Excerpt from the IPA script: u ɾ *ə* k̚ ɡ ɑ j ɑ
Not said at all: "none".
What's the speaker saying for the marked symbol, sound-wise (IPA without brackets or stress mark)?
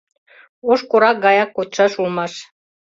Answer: ɑ